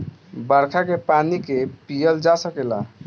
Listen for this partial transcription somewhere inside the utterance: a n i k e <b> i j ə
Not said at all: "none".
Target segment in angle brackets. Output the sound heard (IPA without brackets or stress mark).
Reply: p